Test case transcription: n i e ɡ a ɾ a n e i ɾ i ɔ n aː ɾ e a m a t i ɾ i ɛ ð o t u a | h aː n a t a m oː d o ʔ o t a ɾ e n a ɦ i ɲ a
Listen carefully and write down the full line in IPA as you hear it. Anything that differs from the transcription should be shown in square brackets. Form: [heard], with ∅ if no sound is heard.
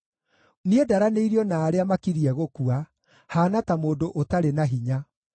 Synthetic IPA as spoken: n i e [d] a ɾ a n e i ɾ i ɔ n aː ɾ e a m a [k] i ɾ i ɛ [ɣ] o [k] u a | h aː n a t a m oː d o ʔ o t a ɾ e n a ɦ i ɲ a